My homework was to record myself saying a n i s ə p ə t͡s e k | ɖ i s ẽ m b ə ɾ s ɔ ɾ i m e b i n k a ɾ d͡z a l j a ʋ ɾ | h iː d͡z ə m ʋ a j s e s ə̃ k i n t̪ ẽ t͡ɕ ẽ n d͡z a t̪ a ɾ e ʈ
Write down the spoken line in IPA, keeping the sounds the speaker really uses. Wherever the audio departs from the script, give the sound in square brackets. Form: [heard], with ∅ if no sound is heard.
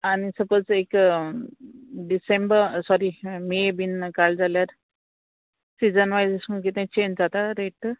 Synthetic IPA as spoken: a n i s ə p ə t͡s e k | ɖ i s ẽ m b ə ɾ s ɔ ɾ i m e b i n k a [l] d͡z a l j a [∅] ɾ | [s] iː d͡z ə [n] ʋ a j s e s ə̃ k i [∅] t̪ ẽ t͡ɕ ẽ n d͡z a t̪ a ɾ e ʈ